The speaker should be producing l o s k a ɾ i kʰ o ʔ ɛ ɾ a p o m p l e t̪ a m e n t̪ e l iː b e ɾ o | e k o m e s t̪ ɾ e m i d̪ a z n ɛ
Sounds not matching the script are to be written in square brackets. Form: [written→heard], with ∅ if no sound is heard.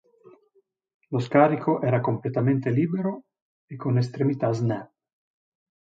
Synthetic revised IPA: l o s k a ɾ i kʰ o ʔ ɛ ɾ a [p→k] o m p l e t̪ a m e n t̪ e l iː b e ɾ o | e k o [m→n] e s t̪ ɾ e m i [d̪→t̪] a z n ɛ